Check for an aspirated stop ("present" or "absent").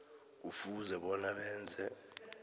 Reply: absent